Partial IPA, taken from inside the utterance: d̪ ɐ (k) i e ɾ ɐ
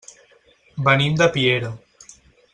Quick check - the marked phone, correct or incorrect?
incorrect